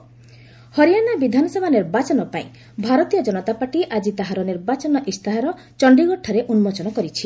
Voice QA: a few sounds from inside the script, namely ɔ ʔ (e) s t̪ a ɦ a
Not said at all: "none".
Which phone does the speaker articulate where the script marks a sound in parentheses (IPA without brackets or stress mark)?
i